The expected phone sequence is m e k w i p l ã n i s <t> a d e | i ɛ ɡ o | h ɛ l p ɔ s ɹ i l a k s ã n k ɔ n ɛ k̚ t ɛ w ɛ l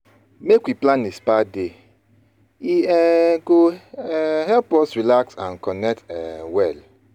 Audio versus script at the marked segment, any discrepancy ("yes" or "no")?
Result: yes